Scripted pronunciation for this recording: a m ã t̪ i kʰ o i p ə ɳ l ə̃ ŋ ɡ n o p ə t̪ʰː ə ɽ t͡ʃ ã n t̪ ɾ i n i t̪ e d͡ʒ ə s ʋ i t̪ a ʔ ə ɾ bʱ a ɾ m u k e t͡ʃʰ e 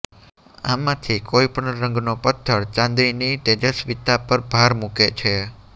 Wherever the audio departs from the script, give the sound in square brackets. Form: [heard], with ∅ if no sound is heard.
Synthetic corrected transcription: a m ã [t̪ʰ] i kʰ o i p ə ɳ [ɾ] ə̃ ŋ ɡ n o p ə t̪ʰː ə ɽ t͡ʃ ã n [d̪] ɾ i n i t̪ e d͡ʒ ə s ʋ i t̪ a [p] ə ɾ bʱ a ɾ m u k e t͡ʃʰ e